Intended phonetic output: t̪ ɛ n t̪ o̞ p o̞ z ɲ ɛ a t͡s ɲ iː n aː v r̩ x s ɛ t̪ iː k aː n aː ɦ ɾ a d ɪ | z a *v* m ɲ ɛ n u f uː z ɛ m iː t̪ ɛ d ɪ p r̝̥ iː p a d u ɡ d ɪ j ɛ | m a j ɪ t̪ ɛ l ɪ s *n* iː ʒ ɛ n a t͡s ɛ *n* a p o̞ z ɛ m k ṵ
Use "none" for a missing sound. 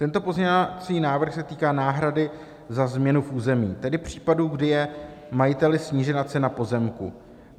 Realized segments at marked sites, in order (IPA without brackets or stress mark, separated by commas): z, ɲ, n